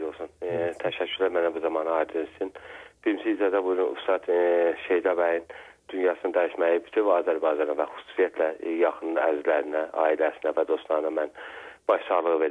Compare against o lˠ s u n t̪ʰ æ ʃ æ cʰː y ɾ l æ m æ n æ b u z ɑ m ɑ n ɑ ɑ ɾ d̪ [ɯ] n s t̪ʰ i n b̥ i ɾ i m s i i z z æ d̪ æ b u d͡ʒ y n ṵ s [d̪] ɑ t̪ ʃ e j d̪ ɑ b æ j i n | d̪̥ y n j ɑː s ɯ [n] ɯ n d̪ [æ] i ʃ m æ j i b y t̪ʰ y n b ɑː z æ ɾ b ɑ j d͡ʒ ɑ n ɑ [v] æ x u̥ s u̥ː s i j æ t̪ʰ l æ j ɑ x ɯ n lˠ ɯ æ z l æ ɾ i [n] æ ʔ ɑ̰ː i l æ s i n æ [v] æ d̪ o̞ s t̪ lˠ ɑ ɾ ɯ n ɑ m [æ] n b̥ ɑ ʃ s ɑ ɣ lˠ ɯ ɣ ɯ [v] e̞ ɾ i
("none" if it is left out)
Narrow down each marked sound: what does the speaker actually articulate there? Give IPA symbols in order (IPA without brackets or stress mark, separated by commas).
ɯ, t̪, n, æ, v, n, v, æ, v